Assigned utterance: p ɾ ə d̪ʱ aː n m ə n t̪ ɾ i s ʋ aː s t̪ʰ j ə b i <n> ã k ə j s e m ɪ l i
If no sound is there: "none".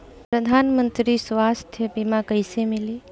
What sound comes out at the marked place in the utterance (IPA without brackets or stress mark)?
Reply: m